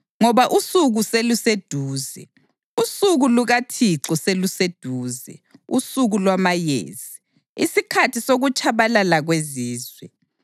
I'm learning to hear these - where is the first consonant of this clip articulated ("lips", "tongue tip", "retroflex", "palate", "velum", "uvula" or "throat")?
velum